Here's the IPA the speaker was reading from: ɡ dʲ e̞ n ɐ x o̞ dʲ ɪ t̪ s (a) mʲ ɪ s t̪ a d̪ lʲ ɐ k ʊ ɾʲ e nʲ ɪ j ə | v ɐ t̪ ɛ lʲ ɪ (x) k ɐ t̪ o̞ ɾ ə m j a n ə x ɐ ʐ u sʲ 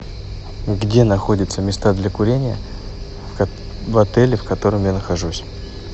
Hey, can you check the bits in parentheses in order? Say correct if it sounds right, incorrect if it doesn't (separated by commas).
incorrect, incorrect